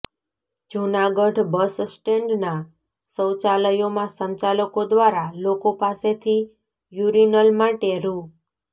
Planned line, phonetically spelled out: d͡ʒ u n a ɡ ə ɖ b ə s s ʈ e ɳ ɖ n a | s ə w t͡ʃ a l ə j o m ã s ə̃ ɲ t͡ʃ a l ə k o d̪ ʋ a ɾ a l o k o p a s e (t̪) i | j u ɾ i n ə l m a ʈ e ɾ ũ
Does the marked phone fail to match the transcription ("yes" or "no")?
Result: yes